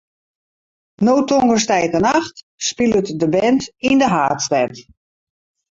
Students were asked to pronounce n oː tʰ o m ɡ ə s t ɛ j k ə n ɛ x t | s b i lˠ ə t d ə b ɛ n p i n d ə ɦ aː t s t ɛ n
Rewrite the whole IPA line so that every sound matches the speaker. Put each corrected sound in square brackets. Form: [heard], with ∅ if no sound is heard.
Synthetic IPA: n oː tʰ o [ŋ] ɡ ə s t ɛ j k ə n [a] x t | s [p] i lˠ ə t d ə b ɛ n [t] i n d ə ɦ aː t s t ɛ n